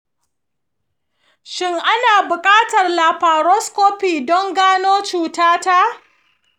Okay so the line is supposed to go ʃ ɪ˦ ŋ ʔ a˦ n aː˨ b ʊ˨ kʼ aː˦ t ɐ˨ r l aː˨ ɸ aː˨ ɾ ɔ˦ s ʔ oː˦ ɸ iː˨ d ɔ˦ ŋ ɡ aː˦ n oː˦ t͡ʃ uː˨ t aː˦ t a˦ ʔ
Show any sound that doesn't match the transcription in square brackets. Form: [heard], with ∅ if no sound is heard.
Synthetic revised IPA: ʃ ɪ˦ ŋ ʔ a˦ n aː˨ b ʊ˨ kʼ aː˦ t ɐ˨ r l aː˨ ɸ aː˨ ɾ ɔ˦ s [k] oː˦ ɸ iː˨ d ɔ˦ ŋ ɡ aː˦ n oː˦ t͡ʃ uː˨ t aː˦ t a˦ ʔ